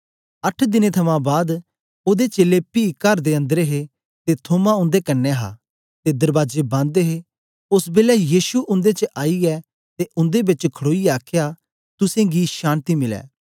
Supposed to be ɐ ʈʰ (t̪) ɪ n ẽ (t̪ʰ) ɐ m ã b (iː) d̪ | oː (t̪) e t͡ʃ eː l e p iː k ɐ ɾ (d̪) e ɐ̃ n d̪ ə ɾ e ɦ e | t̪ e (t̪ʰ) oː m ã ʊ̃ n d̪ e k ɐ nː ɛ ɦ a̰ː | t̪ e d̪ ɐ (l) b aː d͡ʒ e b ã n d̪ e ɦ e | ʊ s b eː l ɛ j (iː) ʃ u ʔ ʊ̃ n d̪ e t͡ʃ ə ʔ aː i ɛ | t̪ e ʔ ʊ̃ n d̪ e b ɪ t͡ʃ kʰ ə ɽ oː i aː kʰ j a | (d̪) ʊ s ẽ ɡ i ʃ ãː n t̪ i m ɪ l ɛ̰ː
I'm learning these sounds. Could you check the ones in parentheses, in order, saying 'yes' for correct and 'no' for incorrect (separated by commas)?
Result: no, yes, no, no, yes, yes, no, yes, no